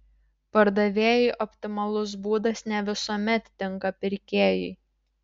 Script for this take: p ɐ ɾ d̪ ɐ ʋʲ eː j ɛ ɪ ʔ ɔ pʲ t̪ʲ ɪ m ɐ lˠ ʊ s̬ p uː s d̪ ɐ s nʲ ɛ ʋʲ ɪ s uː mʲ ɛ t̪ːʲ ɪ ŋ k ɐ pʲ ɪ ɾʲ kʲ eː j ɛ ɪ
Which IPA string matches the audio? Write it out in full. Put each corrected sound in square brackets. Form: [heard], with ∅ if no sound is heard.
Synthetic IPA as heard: p ɐ ɾ d̪ ɐ ʋʲ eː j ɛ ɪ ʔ ɔ pʲ t̪ʲ ɪ m ɐ lˠ ʊ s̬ [b] uː [∅] d̪ ɐ s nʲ ɛ ʋʲ ɪ s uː mʲ ɛ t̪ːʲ ɪ ŋ k ɐ pʲ ɪ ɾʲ kʲ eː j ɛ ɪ